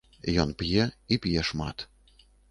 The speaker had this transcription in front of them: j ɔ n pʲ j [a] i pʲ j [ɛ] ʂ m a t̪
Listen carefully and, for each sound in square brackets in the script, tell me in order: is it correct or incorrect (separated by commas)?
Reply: incorrect, correct